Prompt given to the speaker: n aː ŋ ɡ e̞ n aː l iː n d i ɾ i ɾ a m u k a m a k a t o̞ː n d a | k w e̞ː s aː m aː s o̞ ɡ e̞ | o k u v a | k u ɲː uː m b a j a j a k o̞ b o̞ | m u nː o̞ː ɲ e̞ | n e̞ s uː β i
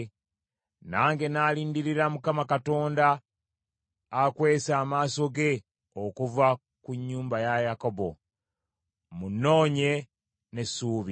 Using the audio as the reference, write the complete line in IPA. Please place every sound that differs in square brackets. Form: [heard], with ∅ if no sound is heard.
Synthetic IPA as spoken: n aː ŋ ɡ e̞ n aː l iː n d i ɾ i ɾ a m u k a m a k a t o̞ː n d a | k w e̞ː s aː m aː s o̞ ɡ e̞ | o k u v a | k u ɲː uː m b a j a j a k o̞ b o̞ | m u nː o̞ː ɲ e̞ | n e̞ s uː β i